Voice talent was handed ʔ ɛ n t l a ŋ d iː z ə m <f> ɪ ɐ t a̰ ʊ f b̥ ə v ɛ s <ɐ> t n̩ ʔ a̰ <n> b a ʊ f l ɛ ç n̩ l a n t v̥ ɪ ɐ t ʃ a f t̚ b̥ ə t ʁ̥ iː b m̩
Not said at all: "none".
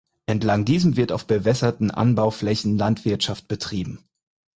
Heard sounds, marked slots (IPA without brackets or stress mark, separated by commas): v, ɐ, n